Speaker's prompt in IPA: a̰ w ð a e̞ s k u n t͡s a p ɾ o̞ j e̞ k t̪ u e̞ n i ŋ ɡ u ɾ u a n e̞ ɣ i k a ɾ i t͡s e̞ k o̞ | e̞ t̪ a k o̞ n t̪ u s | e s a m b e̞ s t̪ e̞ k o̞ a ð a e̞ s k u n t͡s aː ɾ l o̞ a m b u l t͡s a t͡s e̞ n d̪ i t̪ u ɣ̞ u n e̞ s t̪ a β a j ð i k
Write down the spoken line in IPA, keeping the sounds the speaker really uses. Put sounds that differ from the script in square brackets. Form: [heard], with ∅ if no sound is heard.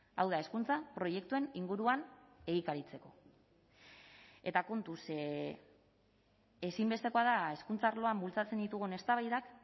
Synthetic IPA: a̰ w ð a e̞ s k u n t͡s a p ɾ o̞ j e̞ k t̪ u e̞ n i ŋ ɡ u ɾ u a n e̞ ɣ i k a ɾ i t͡s e̞ k o̞ | e̞ t̪ a k o̞ n t̪ u s | e s [i] m b e̞ s t̪ e̞ k o̞ a ð a e̞ s k u n t͡s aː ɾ l o̞ a m b u l t͡s a t͡s e̞ n d̪ i t̪ u ɣ̞ u n e̞ s t̪ a β a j ð [a] k